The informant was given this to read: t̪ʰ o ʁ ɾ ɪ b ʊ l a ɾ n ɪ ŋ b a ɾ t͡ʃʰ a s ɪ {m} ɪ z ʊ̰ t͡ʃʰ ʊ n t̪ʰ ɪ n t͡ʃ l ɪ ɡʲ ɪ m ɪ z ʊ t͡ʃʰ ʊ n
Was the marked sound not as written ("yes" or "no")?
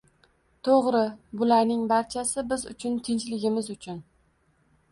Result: yes